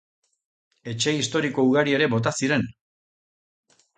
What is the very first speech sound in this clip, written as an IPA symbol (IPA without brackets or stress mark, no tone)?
e̞